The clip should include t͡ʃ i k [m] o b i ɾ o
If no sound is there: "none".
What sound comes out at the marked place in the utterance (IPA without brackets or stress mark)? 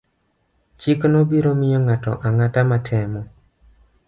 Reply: n